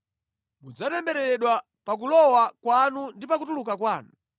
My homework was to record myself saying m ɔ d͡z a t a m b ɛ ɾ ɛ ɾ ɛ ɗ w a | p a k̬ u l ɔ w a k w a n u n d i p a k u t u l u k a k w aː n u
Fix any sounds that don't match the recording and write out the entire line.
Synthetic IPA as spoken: m u d͡z a t ɛ m b ɛ ɾ ɛ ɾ ɛ ɗ w a | p a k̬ u l ɔ w a k w a n u n d i p a k u t u l u k a k w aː n u